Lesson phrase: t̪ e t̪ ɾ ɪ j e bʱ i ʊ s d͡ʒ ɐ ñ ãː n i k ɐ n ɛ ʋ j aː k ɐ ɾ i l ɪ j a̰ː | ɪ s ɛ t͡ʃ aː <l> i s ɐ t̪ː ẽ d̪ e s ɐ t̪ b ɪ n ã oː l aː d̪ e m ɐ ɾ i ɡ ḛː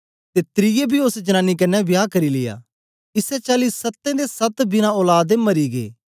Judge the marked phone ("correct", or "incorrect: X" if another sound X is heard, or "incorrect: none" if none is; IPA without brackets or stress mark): correct